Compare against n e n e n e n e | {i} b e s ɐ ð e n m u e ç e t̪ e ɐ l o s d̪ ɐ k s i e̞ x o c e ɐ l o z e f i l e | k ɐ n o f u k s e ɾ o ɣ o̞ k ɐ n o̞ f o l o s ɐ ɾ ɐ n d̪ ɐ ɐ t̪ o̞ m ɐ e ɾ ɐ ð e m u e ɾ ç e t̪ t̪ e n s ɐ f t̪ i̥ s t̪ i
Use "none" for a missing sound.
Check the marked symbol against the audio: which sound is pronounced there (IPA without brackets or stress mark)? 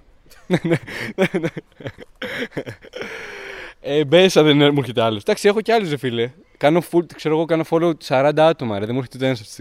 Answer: e